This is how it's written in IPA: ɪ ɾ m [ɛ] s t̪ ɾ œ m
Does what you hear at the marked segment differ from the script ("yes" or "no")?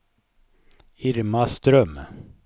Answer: yes